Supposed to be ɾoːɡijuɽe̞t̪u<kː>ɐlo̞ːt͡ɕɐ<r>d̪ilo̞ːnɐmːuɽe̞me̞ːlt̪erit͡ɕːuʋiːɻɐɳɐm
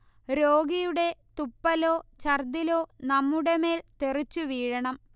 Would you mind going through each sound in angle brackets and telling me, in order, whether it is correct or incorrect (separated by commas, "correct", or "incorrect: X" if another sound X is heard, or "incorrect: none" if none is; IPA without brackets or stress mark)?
incorrect: pː, correct